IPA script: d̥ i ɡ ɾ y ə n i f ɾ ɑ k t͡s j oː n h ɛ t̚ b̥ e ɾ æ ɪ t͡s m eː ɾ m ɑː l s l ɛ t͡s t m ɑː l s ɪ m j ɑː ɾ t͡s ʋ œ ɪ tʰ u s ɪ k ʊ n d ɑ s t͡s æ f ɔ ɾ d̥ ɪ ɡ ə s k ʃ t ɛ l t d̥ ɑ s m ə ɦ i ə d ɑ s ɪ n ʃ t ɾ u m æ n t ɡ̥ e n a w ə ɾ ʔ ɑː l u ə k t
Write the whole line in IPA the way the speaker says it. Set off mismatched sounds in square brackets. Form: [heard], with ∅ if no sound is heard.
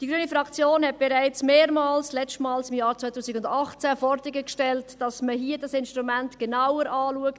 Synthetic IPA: d̥ i ɡ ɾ y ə n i f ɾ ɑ k t͡s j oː n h ɛ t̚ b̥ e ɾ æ ɪ t͡s m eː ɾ m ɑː l s l ɛ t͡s t m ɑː l s ɪ m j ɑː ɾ t͡s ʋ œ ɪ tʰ [uː] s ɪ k ʊ n d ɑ [χ] t͡s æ f ɔ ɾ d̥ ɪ ɡ ə [∅] k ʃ t ɛ l t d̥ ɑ s m ə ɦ i ə d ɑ s ɪ n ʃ t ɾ u m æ n t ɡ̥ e n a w ə ɾ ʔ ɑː l u ə k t